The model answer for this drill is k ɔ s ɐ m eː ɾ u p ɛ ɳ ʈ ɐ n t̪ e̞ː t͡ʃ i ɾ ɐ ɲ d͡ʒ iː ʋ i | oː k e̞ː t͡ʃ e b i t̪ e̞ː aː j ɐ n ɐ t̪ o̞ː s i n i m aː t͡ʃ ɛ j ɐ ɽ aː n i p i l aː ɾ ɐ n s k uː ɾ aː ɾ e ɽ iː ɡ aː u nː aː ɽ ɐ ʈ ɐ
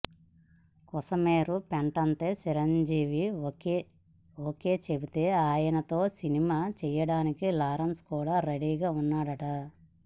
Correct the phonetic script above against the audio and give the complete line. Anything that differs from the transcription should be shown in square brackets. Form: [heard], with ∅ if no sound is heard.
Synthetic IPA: k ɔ s ɐ m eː ɾ u p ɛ ɳ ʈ ɐ n t̪ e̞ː t͡ʃ i ɾ ɐ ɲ d͡ʒ iː ʋ i | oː k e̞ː t͡ʃ e b i t̪ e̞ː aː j ɐ n ɐ t̪ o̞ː s i n i m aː t͡ʃ ɛ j ɐ ɽ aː n i [k] i l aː ɾ ɐ n s k uː [ɽ] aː ɾ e ɽ iː ɡ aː u nː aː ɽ ɐ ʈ ɐ